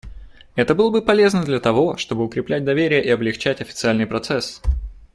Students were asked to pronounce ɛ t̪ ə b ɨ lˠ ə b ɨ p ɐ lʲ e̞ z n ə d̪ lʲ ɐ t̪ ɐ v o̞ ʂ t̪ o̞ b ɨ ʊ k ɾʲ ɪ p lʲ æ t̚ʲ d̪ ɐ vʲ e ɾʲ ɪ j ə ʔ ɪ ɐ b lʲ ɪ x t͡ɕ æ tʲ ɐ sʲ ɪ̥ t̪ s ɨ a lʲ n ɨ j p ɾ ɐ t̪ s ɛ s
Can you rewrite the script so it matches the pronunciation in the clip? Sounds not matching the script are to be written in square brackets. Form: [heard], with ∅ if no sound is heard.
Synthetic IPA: ɛ t̪ ə b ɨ lˠ ə b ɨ p ɐ lʲ e̞ z n ə d̪ lʲ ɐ t̪ ɐ v o̞ ʂ t̪ o̞ b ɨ ʊ k ɾʲ ɪ p lʲ æ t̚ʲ d̪ ɐ vʲ e ɾʲ ɪ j ə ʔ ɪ ɐ b lʲ ɪ x t͡ɕ æ tʲ ɐ [fʲ] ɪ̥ t̪ s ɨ a lʲ n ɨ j p ɾ ɐ t̪ s ɛ s